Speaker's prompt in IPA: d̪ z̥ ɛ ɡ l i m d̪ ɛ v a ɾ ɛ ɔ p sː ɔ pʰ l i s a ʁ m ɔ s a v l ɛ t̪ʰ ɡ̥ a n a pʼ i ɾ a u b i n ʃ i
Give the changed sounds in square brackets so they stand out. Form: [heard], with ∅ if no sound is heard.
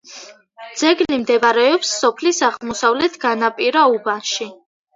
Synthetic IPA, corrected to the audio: d̪ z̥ ɛ ɡ l i m d̪ ɛ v a ɾ ɛ ɔ p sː ɔ pʰ l i s a ʁ m ɔ s a v l ɛ t̪ʰ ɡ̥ a n a pʼ i ɾ a u b [a] n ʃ i